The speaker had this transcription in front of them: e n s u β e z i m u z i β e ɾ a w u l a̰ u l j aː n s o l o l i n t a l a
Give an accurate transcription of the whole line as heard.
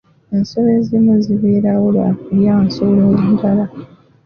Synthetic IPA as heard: e n s o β e z i m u z i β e ɾ a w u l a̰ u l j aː n s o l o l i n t a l a